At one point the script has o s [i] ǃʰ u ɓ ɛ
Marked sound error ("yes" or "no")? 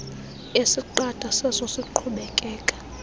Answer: no